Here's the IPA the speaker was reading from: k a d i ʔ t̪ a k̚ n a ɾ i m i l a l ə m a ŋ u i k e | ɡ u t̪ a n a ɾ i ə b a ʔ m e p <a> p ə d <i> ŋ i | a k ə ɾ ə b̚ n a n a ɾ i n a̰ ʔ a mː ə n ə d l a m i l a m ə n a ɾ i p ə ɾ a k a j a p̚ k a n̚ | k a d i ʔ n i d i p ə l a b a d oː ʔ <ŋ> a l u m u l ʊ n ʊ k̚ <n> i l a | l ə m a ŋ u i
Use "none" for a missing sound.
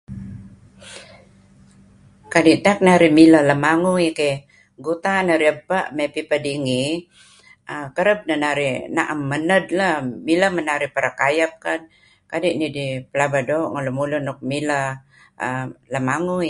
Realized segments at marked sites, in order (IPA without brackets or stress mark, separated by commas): i, i, ŋ, m